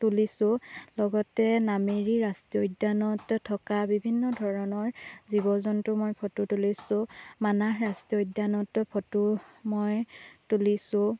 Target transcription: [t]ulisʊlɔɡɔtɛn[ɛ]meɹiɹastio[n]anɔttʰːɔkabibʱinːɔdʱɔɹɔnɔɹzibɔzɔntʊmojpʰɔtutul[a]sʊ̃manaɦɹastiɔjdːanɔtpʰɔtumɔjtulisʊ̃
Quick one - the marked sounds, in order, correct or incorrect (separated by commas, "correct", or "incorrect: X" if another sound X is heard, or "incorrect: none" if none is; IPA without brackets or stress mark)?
correct, incorrect: a, incorrect: d, incorrect: i